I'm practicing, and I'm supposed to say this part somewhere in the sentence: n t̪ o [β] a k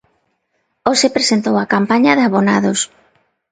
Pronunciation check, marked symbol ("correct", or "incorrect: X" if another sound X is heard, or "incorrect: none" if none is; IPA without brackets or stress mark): incorrect: w